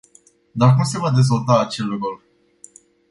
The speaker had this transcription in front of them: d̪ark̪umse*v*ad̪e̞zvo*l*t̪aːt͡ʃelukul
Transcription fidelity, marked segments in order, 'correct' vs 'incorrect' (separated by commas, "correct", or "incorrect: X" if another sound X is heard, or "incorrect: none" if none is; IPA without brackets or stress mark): correct, correct